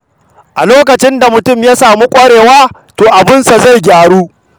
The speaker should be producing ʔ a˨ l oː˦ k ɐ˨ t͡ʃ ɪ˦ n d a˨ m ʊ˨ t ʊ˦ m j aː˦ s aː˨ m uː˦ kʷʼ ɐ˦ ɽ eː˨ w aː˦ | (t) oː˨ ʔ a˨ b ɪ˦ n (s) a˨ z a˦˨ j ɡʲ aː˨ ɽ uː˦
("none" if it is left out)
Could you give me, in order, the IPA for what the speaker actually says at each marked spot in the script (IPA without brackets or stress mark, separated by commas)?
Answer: t, s